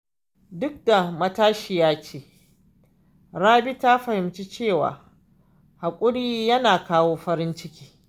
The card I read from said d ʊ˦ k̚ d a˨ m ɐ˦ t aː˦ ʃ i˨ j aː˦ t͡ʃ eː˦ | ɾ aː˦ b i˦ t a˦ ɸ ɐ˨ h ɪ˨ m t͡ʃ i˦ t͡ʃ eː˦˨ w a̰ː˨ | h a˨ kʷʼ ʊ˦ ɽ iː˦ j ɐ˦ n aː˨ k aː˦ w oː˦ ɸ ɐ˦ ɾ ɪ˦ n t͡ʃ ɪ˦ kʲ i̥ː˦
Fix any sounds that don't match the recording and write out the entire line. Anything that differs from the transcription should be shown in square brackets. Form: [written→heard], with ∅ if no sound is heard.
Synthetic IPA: d ʊ˦ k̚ d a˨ m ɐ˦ t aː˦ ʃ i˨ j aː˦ t͡ʃ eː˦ | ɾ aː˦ b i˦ t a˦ ɸ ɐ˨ h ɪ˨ m t͡ʃ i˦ t͡ʃ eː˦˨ w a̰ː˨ | h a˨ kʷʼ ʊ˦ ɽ iː˦ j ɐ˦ n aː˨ k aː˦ w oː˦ ɸ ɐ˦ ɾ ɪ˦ n t͡ʃ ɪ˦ kʲ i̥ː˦